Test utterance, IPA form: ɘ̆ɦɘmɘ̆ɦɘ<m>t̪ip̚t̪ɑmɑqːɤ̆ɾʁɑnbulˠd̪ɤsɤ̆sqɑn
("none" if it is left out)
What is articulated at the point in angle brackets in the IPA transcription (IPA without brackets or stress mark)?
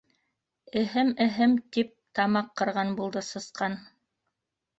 m